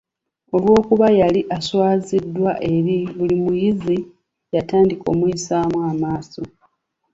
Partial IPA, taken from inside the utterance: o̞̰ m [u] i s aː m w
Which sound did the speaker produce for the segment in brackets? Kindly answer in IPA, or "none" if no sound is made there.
u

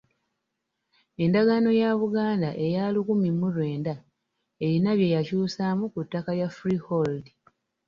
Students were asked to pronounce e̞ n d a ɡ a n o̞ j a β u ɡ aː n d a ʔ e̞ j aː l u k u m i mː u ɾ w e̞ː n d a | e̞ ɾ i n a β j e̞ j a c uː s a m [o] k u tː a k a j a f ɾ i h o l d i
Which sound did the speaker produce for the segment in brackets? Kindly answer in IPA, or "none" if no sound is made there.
u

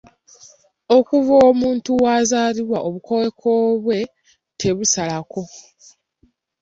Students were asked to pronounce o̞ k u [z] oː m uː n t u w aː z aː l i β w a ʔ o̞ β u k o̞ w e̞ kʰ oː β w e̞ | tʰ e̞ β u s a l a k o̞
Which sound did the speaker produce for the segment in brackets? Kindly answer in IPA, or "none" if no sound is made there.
v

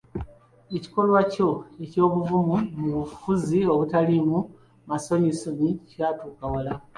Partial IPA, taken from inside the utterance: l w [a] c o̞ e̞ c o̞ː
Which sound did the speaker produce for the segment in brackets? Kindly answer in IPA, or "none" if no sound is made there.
a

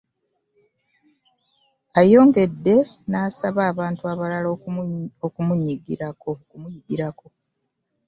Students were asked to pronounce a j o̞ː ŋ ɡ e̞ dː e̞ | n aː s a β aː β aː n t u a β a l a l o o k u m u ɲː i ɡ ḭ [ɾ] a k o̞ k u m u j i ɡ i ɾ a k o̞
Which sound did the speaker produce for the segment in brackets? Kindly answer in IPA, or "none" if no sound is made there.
ɾ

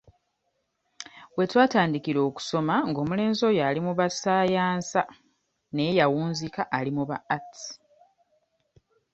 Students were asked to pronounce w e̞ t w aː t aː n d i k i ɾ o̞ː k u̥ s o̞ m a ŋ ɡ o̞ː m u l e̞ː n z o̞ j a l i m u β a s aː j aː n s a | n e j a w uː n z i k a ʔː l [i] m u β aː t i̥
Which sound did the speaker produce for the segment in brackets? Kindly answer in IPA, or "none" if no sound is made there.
i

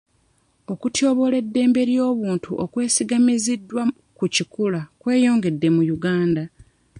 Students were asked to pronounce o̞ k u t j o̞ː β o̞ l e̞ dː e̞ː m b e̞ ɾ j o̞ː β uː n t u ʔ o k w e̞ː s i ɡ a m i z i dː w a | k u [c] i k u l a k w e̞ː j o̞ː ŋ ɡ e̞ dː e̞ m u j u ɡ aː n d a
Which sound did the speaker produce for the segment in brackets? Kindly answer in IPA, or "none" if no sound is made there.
c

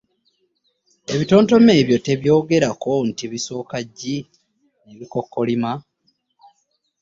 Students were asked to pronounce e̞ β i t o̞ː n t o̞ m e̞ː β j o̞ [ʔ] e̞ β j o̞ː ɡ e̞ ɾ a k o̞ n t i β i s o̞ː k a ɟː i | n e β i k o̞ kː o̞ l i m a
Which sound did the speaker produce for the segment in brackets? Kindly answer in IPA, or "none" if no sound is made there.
t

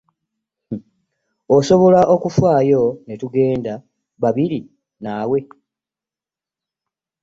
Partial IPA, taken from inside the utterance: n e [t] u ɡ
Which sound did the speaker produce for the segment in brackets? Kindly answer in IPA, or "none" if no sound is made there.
t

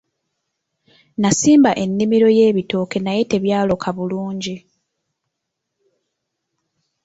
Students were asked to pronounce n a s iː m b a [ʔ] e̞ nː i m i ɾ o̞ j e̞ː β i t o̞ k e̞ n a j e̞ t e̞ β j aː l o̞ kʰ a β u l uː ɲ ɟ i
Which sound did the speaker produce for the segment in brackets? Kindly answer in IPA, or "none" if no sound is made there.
ʔ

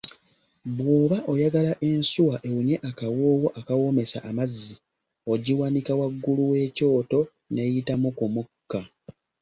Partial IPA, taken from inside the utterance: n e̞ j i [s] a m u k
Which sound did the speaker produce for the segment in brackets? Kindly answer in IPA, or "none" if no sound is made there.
t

